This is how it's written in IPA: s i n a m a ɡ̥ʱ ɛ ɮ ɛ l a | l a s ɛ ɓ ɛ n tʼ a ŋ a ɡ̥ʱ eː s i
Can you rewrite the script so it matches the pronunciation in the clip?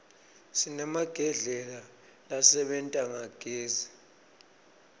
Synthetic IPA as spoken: s i n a m a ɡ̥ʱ ɛ ɮ ɛ l a | l a s ɛ ɓ ɛ n tʼ a ŋ a ɡ̥ʱ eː z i

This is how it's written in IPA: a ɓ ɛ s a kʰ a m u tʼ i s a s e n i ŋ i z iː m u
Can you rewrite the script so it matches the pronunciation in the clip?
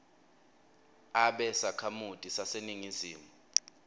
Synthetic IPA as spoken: a ɓ ɛ s a kʰ a m u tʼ i s a s e n i ŋ i z iː m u

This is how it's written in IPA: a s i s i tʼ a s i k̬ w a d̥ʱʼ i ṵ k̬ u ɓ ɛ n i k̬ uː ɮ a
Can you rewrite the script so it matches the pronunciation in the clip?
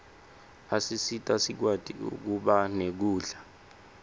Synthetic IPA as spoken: a s i s i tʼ a s i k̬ w a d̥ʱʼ i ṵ k̬ u ɓ a n e k̬ uː ɮ a

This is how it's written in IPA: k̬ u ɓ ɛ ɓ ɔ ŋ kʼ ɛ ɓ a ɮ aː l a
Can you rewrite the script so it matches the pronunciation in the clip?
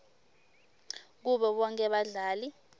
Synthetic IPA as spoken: k̬ u ɓ ɛ ɓ ɔ ŋ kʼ ɛ ɓ a ɮ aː l i

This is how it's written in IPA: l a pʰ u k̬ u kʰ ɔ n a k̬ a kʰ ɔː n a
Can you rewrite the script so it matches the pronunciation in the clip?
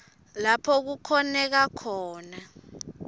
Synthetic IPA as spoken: l a pʰ ɔ k̬ u kʰ ɔ n ɛ k̬ a kʰ ɔː n a

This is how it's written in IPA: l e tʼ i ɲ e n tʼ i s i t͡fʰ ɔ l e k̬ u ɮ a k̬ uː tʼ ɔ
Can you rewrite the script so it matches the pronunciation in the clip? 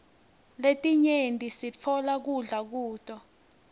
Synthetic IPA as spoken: l e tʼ i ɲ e n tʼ i s i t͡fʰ ɔ l a k̬ u ɮ a k̬ uː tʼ ɔ

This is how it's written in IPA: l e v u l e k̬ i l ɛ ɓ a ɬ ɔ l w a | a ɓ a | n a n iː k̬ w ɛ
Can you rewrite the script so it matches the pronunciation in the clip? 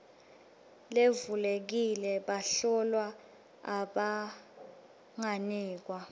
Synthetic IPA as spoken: l e v u l e k̬ i l ɛ ɓ a ɬ ɔ l w a | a ɓ a | ŋ a n iː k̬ w a

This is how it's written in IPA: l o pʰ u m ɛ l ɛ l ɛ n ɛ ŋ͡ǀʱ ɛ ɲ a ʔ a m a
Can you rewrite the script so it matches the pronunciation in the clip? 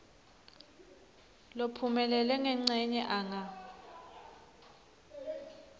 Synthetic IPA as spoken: l o pʰ u m ɛ l ɛ l ɛ ŋ ɛ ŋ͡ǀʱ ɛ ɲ ɛ ʔ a ŋ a

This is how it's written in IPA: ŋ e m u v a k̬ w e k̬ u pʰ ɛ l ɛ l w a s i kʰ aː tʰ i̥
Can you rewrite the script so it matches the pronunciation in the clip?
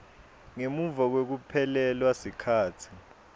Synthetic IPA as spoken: ŋ e m u v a k̬ w e k̬ u pʰ ɛ l ɛ l w a s i kʰ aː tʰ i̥

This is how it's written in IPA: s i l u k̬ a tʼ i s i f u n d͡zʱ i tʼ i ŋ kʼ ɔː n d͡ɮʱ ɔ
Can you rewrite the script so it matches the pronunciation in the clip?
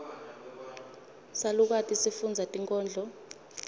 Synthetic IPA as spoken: s a l u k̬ a tʼ i s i f u n d͡zʱ a tʼ i ŋ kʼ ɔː n d͡ɮʱ ɔ

